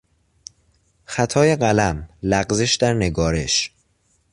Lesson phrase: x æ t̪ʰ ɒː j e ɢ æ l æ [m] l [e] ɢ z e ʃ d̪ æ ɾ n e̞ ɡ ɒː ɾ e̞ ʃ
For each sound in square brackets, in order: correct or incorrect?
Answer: correct, incorrect

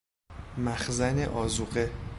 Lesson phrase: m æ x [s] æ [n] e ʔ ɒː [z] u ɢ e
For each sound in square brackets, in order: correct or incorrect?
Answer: incorrect, correct, correct

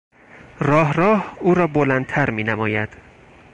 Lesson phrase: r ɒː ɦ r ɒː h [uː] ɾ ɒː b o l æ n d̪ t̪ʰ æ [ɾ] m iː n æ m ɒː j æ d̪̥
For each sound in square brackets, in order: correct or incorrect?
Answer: correct, correct

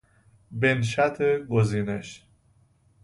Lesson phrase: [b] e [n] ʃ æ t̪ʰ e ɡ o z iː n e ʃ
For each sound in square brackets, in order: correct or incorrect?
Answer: correct, correct

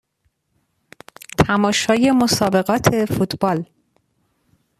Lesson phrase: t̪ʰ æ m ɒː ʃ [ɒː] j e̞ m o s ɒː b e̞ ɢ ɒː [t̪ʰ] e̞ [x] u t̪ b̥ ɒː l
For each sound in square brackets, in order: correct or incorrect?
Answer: correct, correct, incorrect

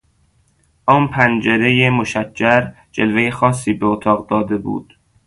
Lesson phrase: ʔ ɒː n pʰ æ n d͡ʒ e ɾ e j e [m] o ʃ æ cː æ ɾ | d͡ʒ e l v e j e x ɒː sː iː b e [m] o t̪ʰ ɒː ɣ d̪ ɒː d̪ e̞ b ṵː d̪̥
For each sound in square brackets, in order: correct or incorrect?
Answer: correct, incorrect

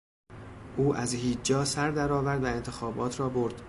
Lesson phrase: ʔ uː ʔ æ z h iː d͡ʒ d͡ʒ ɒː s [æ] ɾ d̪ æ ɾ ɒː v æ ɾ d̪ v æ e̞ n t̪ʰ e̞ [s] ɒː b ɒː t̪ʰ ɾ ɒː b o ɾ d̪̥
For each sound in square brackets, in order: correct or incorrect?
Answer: correct, incorrect

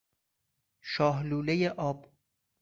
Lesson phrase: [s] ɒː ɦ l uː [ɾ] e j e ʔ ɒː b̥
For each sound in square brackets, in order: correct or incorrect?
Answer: incorrect, incorrect

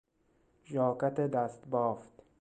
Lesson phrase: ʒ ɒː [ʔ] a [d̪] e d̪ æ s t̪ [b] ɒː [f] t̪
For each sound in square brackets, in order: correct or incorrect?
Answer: incorrect, incorrect, correct, correct

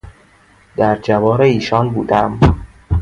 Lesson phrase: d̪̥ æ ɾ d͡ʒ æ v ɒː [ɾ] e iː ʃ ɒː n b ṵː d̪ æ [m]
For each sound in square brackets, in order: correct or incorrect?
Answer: correct, correct

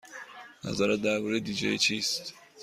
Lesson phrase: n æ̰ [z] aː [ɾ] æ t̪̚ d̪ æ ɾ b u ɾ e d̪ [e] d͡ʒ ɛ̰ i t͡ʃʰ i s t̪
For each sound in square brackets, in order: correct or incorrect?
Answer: correct, correct, incorrect

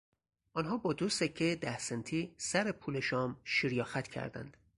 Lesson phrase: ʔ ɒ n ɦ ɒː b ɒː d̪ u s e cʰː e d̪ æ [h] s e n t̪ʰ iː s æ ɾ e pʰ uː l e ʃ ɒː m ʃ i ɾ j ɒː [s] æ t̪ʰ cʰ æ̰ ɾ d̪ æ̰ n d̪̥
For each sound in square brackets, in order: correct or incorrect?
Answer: correct, incorrect

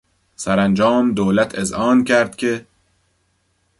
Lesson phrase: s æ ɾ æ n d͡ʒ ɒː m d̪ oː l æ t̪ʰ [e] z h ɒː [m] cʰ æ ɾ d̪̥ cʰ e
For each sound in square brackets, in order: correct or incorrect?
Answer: correct, incorrect

